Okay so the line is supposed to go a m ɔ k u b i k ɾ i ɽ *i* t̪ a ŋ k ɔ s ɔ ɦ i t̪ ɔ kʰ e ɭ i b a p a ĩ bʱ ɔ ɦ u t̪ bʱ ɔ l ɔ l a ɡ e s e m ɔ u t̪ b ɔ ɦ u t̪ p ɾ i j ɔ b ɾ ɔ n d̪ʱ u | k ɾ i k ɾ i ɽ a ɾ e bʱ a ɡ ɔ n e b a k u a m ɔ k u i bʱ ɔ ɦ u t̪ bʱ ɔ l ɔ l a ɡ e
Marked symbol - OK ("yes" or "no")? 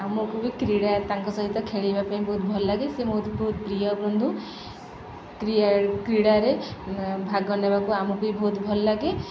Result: no